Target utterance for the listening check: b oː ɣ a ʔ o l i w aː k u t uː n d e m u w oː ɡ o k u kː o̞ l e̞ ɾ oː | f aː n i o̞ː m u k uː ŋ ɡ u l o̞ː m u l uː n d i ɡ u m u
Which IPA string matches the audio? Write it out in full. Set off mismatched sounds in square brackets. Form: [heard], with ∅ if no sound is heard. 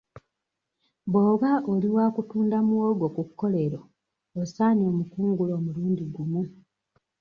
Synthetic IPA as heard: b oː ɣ a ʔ o l i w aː k u t uː n d [a] m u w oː ɡ o k u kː o̞ l e̞ ɾ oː | [s] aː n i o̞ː m u k uː ŋ ɡ u l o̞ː m u l uː n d i ɡ u m u